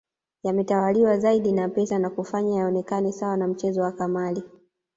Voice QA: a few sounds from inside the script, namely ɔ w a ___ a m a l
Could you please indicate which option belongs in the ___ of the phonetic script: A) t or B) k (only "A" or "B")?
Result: B